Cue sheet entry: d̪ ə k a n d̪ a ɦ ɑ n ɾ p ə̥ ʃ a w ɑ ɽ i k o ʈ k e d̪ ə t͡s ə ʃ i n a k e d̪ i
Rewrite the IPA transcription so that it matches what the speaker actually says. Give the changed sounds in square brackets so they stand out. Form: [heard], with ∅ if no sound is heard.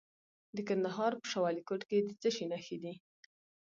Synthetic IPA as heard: d̪ ə k a n d̪ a ɦ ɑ [∅] ɾ p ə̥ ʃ a w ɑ [l] i k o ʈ k e d̪ ə t͡s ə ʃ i n a [x] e d̪ i